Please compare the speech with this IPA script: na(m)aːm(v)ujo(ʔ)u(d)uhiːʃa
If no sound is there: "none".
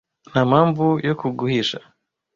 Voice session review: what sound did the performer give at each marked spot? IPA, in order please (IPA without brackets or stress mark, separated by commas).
m, v, k, ɡ